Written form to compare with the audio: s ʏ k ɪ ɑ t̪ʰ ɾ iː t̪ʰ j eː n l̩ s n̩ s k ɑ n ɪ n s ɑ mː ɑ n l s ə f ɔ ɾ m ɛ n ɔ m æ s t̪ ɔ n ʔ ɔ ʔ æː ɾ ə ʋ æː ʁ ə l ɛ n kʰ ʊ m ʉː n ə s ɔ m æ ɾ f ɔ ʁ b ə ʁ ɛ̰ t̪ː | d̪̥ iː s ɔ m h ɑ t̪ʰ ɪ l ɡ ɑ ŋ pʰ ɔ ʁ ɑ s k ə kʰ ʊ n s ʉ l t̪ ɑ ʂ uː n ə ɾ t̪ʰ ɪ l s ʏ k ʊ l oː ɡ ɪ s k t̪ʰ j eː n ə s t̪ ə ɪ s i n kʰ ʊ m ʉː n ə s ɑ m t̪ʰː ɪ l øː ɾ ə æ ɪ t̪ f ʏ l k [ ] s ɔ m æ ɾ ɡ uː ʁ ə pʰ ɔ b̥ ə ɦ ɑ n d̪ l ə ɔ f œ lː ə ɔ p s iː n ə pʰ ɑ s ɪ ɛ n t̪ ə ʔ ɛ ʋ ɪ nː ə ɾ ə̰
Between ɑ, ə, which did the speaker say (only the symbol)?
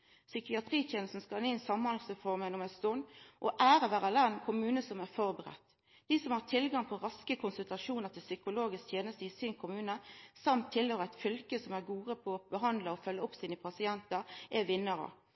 ə